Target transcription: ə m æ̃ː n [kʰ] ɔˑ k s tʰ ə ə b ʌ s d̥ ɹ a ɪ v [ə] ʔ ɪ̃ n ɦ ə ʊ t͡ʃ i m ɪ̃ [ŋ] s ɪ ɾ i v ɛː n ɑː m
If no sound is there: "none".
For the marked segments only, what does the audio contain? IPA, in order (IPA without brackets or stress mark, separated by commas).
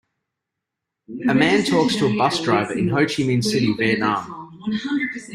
tʰ, ə, n